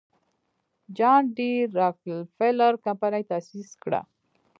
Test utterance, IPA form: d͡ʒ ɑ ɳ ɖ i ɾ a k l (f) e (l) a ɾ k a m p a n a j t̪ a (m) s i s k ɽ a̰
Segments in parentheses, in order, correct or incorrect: correct, correct, incorrect: none

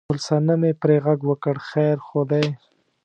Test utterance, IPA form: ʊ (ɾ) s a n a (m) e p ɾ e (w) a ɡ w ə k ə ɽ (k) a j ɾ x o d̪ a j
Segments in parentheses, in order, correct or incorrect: incorrect: l, correct, incorrect: ɣ, incorrect: x

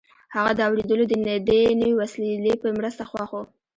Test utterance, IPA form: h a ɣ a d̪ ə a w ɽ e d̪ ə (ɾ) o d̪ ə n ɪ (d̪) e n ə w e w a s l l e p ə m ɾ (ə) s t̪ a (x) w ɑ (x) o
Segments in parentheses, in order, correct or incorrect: incorrect: l, correct, correct, correct, correct

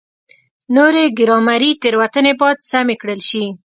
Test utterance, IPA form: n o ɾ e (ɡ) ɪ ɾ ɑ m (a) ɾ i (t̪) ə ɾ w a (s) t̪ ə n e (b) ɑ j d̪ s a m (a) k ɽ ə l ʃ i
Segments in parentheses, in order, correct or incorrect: correct, correct, correct, incorrect: none, correct, incorrect: e

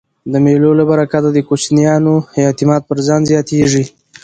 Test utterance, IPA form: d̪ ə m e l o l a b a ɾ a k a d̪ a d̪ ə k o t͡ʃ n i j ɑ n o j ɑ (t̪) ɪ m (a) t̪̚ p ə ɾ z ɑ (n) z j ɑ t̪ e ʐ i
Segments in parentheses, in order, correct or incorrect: correct, incorrect: ɑ, correct

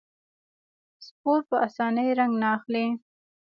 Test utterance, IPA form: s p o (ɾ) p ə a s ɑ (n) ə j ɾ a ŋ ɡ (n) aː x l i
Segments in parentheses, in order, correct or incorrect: correct, correct, correct

